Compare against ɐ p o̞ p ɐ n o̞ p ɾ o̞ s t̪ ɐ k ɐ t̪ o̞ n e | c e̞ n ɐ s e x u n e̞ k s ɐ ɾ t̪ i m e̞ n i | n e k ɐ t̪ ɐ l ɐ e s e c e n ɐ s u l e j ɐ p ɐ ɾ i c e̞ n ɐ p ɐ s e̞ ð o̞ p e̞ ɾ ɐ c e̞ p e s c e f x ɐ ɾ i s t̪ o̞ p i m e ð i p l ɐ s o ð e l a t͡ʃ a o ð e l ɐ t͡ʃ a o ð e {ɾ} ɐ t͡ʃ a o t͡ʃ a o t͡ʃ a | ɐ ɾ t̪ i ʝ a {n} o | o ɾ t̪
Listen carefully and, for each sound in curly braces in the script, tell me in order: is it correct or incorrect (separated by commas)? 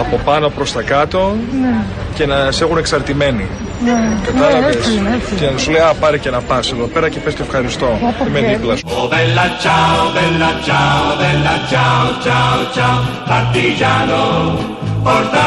incorrect, correct